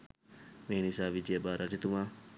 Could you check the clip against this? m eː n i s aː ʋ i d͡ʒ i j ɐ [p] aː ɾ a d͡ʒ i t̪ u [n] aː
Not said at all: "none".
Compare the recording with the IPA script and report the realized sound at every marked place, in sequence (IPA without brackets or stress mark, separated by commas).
b, m